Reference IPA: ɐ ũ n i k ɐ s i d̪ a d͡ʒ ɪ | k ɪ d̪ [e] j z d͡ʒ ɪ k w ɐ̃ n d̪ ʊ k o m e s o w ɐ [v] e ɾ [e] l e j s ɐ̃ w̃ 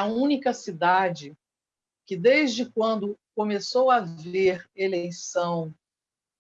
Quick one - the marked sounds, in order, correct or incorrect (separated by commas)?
correct, correct, correct